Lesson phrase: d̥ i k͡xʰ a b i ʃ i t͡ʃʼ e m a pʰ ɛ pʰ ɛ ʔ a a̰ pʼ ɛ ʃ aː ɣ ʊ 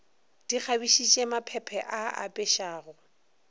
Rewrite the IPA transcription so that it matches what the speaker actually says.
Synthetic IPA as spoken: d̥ i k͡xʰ a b i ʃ i t͡ʃʼ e m a pʰ ɛ pʰ ɛ ʔ a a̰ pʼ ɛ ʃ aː ɣ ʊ